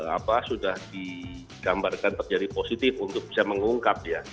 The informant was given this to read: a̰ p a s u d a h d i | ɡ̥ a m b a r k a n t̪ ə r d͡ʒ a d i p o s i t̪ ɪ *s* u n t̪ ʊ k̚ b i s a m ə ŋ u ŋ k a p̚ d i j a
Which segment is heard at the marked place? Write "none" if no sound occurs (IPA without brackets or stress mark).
f